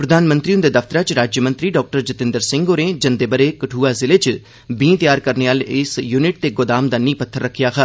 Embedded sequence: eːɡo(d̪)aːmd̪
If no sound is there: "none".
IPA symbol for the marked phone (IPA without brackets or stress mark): d̪